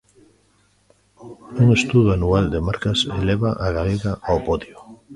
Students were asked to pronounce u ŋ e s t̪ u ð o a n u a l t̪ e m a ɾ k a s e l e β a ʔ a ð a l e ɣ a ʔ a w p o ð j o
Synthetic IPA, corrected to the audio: u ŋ e s t̪ u ð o a n u a l d̪ e m a ɾ k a s e l e β a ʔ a ɣ a l e ɣ a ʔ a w p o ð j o